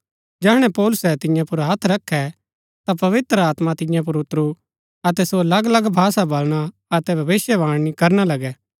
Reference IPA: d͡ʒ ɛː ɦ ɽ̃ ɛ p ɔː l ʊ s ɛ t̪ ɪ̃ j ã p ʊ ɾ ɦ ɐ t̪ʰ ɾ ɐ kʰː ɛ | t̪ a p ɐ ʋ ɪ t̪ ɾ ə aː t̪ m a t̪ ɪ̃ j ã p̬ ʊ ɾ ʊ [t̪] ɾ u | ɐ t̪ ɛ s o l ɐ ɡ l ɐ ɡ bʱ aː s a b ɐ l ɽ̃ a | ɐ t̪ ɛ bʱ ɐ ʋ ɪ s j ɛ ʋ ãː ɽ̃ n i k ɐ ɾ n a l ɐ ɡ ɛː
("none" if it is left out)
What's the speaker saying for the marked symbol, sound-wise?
t̪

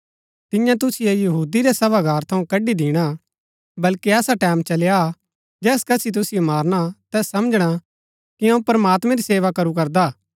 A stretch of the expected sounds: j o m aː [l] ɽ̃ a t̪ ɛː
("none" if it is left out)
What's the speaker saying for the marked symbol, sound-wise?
ɾ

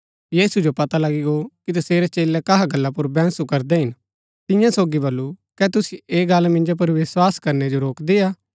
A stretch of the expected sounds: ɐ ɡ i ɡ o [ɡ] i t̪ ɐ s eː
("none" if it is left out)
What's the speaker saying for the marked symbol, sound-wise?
k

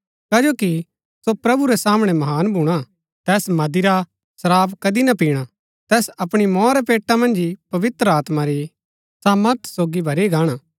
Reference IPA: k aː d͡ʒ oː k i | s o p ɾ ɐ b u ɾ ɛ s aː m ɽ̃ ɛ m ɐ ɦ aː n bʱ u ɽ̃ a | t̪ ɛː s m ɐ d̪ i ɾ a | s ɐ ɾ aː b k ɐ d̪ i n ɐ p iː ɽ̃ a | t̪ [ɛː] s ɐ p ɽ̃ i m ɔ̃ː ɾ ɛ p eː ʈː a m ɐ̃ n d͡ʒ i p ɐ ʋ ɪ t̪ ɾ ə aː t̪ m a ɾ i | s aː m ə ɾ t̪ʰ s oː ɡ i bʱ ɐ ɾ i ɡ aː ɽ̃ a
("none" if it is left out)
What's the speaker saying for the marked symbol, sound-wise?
ɛː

